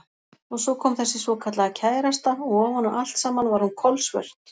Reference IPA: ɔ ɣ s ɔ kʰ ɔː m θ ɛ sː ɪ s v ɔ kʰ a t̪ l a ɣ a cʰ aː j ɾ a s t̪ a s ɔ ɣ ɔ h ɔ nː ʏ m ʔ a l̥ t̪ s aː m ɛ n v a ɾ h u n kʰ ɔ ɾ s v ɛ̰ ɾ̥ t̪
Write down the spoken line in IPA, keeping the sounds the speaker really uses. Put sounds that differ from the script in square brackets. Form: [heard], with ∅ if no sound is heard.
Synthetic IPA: ɔ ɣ s ɔ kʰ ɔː m θ ɛ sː ɪ s v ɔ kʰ a t̪ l a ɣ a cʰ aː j ɾ a s t̪ a [∅] ɔ ɣ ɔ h ɔ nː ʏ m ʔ a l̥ t̪ s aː m [a] n v a ɾ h u n kʰ ɔ [l] s v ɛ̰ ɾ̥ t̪